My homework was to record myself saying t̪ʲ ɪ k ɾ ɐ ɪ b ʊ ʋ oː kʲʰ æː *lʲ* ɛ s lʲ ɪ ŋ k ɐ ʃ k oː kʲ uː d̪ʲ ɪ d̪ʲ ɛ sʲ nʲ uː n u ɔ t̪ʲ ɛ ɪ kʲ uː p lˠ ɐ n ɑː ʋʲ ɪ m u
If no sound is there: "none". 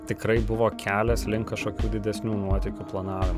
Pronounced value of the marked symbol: lʲ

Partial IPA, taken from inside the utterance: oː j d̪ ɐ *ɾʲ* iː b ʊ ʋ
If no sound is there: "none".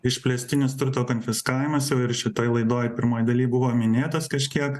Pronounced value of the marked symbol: lʲ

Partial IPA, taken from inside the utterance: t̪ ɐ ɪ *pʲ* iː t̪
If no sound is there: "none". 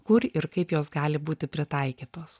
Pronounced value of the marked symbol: kʲ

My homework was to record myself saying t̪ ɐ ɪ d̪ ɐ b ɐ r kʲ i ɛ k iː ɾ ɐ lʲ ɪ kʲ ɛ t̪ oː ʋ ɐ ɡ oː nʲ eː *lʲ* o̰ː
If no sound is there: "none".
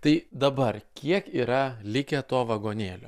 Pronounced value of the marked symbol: lʲ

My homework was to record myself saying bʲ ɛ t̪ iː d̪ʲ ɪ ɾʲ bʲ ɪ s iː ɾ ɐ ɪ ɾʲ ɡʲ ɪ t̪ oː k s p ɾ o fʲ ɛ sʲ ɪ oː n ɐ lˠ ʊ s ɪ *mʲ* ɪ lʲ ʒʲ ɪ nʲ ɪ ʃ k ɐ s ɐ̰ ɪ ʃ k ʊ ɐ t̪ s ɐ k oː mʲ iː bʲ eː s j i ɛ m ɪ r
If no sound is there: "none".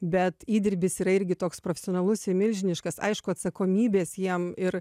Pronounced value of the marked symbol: mʲ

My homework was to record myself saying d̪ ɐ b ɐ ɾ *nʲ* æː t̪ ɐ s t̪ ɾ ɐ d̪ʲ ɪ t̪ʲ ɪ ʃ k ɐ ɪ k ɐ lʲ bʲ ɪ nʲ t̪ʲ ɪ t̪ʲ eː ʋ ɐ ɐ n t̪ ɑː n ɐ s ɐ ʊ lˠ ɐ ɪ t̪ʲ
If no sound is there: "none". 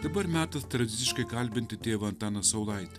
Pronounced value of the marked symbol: mʲ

